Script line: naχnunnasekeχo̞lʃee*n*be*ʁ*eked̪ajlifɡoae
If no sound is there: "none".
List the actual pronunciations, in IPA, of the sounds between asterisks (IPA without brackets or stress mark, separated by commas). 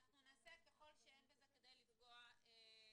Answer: n, z